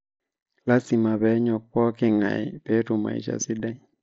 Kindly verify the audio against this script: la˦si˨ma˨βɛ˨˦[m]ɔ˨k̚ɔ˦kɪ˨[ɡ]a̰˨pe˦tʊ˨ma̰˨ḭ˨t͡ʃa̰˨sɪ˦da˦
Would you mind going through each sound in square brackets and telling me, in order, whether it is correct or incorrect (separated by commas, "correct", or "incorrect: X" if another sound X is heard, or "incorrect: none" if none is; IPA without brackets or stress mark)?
incorrect: ɲ, incorrect: ŋ